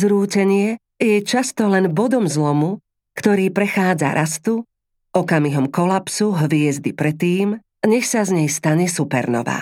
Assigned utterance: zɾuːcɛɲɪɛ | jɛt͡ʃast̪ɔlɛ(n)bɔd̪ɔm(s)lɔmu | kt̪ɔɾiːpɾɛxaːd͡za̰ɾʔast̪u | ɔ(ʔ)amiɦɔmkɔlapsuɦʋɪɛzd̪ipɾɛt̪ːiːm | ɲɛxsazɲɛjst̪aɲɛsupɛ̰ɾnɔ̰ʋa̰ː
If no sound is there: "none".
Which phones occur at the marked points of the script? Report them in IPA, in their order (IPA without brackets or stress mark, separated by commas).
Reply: n, z, k